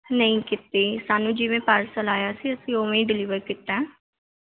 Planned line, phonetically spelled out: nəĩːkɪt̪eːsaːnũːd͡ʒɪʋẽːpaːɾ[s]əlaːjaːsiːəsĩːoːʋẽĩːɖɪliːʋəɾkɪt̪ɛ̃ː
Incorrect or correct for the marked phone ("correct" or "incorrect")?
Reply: correct